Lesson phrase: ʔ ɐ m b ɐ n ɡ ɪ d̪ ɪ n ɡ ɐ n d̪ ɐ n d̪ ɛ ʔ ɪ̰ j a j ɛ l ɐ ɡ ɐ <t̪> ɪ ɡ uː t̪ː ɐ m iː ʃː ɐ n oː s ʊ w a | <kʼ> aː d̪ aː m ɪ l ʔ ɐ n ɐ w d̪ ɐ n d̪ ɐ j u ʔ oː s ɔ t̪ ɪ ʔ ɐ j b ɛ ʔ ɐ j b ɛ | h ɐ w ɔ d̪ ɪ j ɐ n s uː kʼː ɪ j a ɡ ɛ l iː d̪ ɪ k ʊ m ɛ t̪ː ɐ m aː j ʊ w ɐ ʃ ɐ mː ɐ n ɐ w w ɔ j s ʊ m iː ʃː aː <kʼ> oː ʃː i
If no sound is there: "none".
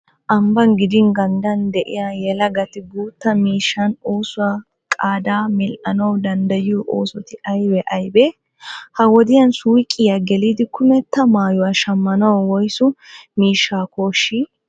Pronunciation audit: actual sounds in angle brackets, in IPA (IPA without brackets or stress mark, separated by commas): t̪, kʼ, k